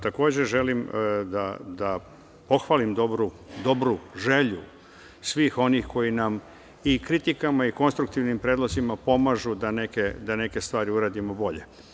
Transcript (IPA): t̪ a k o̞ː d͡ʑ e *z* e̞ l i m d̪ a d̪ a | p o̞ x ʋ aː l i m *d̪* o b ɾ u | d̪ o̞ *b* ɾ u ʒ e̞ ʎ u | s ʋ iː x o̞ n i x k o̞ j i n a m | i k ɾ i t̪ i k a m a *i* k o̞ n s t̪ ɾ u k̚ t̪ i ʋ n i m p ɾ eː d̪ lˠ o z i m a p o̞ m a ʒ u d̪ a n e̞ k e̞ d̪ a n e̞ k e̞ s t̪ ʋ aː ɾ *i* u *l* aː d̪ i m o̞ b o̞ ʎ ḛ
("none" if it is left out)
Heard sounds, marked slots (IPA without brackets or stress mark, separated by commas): ʒ, d̪, b, i, i, ɾ